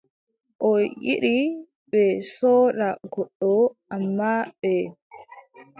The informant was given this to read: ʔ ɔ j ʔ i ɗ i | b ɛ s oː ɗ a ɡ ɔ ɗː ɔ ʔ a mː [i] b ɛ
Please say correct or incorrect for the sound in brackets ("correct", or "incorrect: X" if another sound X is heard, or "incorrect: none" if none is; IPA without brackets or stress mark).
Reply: incorrect: a